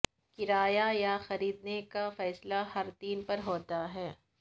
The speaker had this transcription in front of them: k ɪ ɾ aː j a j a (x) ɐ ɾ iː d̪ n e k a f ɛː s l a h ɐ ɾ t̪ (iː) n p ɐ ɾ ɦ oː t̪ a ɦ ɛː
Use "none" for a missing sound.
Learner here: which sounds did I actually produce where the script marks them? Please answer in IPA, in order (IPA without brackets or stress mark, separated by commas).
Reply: x, iː